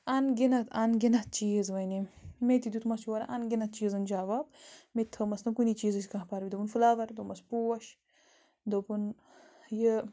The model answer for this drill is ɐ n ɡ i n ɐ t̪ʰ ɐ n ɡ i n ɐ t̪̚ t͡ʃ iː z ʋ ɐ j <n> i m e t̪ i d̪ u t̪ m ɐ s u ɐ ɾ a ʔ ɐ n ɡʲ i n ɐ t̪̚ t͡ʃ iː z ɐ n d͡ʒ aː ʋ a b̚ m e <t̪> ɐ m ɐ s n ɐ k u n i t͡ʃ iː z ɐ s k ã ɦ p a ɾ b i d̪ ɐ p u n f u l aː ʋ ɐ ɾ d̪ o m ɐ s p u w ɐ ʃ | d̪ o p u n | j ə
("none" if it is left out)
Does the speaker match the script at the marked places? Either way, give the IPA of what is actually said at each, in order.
n, t̪ʰ

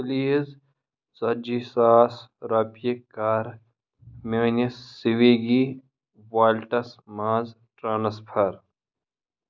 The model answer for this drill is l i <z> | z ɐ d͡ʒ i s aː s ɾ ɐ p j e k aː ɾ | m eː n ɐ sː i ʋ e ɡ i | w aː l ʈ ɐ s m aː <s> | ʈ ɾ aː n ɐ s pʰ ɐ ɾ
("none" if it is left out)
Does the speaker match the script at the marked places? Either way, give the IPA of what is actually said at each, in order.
z, z

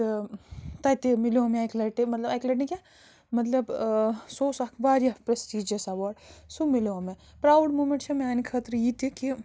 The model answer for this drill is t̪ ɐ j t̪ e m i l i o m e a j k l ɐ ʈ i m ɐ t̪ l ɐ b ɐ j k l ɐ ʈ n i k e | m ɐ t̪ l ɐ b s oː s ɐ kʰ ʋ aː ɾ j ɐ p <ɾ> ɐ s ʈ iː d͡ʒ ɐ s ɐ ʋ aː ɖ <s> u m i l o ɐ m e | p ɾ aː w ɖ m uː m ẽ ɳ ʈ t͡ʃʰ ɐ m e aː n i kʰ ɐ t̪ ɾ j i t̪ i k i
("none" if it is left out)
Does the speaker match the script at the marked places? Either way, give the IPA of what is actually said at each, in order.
ɾ, s

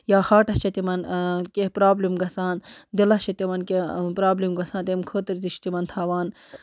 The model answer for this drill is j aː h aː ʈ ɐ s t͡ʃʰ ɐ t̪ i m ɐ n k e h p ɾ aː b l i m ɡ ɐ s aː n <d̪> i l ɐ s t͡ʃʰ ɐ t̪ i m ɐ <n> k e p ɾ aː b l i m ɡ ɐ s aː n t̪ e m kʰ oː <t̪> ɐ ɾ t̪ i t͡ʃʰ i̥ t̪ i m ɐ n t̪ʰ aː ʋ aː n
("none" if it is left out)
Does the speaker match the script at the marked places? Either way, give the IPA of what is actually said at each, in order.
d̪, n, t̪

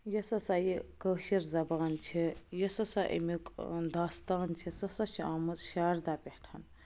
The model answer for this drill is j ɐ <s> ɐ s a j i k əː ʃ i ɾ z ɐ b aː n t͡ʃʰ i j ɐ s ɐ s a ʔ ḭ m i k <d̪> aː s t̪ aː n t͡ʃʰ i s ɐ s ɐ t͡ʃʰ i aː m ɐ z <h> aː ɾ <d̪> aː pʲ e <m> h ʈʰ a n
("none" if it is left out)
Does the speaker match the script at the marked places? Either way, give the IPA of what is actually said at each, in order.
s, d̪, ʃ, d̪, none

